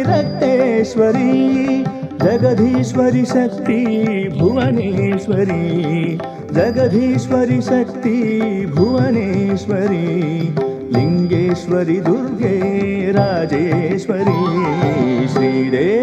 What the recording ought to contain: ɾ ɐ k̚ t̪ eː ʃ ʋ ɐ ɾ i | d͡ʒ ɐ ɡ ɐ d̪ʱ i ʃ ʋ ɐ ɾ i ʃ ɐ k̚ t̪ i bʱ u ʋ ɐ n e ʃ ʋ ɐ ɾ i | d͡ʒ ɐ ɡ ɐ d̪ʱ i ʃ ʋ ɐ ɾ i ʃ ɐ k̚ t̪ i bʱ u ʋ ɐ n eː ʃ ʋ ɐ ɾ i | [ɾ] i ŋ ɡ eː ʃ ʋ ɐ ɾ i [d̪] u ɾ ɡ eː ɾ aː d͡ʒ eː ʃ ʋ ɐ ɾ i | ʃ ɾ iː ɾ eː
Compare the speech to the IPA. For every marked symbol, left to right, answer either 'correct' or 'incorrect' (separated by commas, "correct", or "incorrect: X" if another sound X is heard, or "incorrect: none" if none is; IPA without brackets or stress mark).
incorrect: l, correct